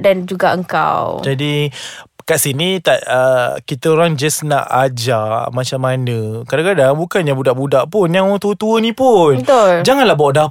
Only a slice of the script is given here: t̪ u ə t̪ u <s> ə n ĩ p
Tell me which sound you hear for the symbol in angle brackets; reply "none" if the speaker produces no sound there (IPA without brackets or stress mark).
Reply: none